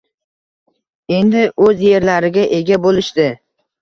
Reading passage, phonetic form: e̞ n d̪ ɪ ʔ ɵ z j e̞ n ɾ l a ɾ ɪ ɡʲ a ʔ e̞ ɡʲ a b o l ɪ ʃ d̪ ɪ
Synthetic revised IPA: e̞ n d̪ ɪ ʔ ɵ z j e̞ ɾ l a ɾ ɪ ɡʲ a ʔ e̞ ɡʲ a b o l ɪ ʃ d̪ ɪ